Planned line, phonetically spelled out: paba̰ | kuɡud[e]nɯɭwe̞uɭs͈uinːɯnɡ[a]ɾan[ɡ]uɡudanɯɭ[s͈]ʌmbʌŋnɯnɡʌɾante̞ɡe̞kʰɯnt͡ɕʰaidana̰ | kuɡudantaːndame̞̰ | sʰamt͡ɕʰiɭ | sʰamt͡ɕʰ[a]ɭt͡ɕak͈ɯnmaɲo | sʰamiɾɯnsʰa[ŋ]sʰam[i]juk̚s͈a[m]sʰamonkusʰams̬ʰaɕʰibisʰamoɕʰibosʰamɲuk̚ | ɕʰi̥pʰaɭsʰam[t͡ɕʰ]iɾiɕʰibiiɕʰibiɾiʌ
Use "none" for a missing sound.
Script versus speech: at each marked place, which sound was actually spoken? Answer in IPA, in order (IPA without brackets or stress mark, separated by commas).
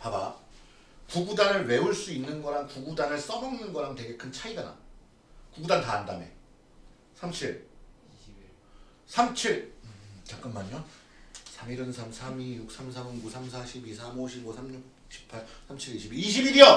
a, ʌ, k, s͈, i, m, i, m, t͡ɕʰ